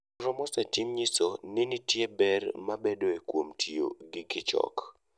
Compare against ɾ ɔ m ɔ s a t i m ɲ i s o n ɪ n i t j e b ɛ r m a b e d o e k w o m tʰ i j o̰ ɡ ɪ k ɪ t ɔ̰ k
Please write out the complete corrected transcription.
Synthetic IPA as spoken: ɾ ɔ m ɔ s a t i m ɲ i s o n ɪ n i t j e b ɛ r m a b e d o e k w o m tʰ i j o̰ ɡ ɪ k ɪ t͡ʃ ɔ̰ k